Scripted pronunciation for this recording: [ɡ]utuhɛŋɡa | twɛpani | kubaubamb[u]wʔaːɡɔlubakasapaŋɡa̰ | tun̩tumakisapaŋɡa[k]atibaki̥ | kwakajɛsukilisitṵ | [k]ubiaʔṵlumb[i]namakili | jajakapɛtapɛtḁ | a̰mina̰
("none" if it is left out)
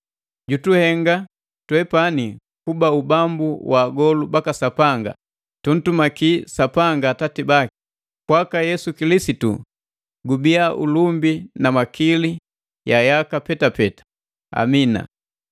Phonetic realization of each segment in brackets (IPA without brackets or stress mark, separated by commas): ɟ, u, t, ɡ, i